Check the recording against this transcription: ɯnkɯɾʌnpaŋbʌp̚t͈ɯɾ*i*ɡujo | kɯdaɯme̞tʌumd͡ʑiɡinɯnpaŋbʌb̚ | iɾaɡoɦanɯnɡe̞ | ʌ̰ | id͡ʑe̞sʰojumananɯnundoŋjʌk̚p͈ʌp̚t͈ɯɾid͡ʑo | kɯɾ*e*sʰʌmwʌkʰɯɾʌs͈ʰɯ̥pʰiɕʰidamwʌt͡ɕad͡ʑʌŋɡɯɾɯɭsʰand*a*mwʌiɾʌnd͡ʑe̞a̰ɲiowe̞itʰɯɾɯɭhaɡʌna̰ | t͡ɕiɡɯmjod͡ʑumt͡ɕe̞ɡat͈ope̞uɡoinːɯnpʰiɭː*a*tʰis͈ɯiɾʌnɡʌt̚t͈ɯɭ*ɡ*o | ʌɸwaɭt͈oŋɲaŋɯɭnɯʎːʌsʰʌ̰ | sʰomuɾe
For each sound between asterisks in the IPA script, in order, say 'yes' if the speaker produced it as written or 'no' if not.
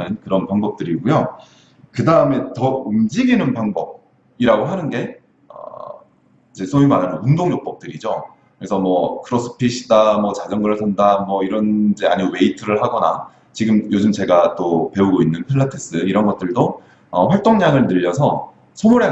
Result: yes, yes, yes, yes, no

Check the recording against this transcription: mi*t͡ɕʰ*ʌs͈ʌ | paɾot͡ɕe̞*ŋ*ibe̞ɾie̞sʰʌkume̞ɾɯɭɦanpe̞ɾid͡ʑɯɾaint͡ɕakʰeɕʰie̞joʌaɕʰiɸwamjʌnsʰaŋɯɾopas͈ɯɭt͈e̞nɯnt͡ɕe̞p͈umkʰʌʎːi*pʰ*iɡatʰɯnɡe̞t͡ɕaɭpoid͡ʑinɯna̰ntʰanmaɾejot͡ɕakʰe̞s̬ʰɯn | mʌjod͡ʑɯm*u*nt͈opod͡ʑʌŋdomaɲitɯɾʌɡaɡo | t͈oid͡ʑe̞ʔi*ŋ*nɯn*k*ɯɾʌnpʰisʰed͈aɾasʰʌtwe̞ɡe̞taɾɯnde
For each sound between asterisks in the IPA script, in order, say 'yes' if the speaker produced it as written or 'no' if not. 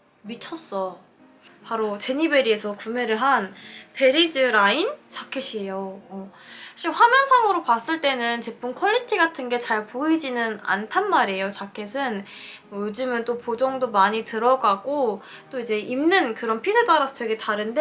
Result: yes, no, no, no, no, yes

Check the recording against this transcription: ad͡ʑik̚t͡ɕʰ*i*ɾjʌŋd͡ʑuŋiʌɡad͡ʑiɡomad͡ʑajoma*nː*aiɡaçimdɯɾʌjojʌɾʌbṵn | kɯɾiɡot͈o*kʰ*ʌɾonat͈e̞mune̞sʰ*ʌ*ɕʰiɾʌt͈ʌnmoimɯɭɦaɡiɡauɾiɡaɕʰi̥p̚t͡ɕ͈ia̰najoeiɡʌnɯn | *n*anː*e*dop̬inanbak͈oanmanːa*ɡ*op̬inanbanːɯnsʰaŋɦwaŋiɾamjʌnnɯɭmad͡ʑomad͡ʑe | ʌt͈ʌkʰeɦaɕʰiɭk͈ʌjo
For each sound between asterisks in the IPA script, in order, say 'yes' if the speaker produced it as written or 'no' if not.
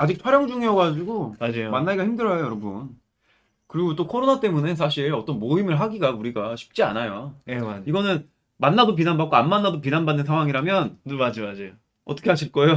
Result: no, yes, yes, no, no, no, no

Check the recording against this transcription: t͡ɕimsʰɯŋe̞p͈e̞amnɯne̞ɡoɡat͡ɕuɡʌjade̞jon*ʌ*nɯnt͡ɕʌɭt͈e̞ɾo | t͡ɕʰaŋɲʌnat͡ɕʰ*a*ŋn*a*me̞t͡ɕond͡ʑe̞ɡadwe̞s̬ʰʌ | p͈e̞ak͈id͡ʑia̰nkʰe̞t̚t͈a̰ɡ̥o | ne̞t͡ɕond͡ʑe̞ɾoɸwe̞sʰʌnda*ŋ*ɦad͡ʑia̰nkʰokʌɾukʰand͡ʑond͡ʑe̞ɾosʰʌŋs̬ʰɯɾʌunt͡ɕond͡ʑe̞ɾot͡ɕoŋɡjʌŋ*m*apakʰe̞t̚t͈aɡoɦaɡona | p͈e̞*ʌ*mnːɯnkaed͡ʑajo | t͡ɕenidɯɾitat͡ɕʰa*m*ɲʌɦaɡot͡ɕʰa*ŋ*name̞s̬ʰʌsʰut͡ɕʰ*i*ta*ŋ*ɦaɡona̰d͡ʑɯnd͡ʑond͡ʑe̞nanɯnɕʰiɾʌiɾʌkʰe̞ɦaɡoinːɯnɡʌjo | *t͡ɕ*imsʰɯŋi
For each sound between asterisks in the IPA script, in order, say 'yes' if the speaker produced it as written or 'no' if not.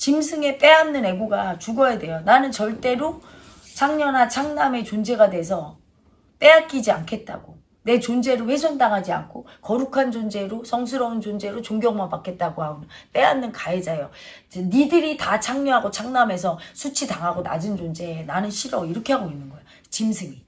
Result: no, yes, yes, yes, yes, no, no, yes, yes, yes, yes

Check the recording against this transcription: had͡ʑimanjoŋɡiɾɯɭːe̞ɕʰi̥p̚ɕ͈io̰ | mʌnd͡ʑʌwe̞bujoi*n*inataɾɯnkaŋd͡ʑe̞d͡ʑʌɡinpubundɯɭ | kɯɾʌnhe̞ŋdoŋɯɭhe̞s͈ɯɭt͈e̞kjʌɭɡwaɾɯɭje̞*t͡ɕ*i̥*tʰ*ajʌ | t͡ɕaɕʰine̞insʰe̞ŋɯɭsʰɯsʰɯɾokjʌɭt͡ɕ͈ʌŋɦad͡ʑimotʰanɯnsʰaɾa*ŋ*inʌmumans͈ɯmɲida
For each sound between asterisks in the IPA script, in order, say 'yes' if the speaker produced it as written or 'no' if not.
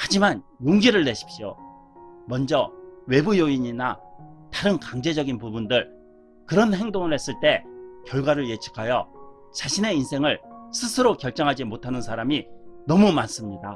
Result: no, no, no, no

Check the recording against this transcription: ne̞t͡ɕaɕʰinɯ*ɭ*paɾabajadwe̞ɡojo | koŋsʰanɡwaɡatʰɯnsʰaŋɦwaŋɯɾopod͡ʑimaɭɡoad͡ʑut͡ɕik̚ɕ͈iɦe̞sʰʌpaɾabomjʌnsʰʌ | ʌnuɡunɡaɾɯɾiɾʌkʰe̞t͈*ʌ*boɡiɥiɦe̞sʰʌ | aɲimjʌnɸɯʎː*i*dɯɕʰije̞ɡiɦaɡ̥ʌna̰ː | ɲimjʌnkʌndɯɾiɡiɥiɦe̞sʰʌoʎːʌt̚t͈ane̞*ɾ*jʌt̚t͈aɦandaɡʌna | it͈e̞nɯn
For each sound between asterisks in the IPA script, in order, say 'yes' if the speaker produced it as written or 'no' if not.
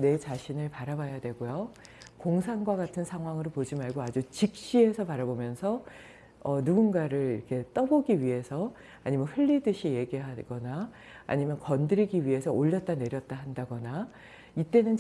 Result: yes, yes, yes, yes

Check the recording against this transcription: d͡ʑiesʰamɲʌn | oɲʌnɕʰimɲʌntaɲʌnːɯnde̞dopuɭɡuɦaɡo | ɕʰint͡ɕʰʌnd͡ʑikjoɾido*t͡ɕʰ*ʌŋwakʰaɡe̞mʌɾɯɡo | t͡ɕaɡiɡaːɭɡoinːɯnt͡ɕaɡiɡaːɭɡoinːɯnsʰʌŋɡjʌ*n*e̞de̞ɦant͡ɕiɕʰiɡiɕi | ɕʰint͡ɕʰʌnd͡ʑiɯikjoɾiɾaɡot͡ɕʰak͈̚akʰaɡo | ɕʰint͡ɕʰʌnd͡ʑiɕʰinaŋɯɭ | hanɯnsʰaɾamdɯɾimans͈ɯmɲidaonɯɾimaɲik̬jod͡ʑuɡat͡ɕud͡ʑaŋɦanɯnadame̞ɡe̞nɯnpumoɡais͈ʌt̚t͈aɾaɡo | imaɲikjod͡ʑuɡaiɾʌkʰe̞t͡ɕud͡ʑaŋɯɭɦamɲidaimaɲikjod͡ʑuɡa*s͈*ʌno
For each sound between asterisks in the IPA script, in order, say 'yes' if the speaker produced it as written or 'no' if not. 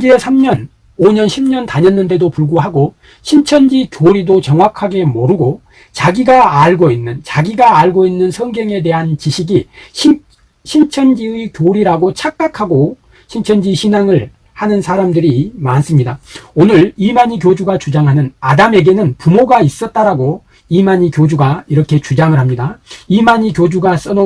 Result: no, no, yes

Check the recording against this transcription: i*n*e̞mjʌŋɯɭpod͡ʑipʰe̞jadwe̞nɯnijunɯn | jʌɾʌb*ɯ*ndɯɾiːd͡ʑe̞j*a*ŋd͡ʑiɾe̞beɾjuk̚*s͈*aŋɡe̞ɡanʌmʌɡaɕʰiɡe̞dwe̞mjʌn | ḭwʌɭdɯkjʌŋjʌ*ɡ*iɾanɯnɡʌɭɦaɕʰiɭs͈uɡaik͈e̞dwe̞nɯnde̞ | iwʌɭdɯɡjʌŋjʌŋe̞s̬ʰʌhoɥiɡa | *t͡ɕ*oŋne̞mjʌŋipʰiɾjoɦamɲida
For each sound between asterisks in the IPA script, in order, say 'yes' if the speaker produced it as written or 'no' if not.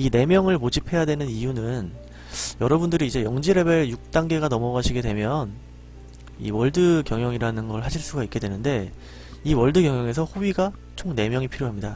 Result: yes, no, no, no, no, no

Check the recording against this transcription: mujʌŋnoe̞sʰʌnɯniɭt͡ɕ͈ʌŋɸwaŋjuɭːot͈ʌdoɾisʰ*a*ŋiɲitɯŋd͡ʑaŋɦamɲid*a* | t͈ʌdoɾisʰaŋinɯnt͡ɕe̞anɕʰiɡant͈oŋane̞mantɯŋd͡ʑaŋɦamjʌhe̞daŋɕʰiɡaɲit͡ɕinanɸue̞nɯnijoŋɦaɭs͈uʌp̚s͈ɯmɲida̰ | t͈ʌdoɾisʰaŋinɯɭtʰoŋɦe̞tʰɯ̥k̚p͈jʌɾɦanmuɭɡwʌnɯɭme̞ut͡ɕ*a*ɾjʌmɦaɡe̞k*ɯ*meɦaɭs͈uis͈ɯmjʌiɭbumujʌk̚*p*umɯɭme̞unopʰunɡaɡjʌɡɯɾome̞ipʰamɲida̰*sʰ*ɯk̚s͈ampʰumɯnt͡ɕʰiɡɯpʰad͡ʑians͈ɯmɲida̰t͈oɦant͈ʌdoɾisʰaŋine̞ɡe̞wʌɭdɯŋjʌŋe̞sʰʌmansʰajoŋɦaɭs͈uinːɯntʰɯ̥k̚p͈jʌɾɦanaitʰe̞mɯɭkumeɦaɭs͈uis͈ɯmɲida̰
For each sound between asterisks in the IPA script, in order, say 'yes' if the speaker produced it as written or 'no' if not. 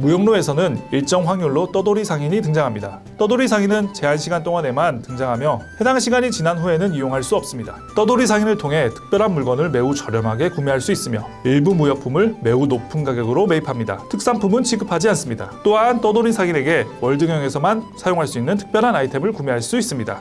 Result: yes, yes, no, no, no, no

